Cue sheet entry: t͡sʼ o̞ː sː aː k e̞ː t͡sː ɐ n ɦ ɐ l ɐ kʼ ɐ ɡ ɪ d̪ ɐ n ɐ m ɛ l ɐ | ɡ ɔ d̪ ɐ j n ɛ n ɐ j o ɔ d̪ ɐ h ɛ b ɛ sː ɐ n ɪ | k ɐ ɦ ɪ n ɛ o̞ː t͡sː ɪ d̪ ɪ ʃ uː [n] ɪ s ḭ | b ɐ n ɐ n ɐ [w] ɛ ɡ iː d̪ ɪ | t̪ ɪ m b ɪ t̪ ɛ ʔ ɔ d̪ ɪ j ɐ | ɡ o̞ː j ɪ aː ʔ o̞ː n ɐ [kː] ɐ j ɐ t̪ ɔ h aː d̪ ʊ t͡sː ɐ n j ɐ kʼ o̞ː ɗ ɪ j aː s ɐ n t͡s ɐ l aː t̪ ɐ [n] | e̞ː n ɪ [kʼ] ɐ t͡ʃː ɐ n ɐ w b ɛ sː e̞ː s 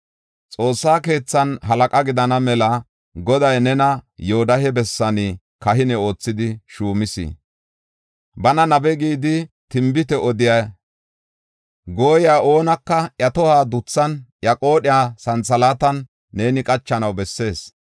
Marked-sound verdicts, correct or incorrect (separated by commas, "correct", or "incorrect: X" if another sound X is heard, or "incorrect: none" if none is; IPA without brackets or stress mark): incorrect: m, incorrect: b, correct, incorrect: nː, correct